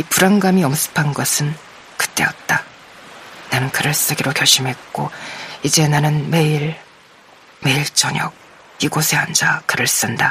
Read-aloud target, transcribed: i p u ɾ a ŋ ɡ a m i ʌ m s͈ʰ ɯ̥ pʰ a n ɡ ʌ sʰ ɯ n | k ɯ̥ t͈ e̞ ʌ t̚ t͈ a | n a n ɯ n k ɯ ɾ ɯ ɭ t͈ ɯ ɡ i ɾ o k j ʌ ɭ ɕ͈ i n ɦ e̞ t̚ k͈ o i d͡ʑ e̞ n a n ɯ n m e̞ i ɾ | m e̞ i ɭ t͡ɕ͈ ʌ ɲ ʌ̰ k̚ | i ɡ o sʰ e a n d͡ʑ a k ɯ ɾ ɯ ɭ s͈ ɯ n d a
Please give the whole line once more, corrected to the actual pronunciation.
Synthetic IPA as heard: i p u ɾ a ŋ ɡ a m i ʌ m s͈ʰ ɯ̥ pʰ a n ɡ ʌ sʰ ɯ n | k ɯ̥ t͈ e̞ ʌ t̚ t͈ a | n a n ɯ n k ɯ ɾ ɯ ɭ s͈ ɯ ɡ i ɾ o k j ʌ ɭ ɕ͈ i m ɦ e̞ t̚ k͈ o i d͡ʑ e̞ n a n ɯ n m e̞ i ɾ | m e̞ i ɭ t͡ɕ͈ ʌ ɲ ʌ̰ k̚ | i ɡ o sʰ e a n d͡ʑ a k ɯ ɾ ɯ ɭ s͈ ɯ n d a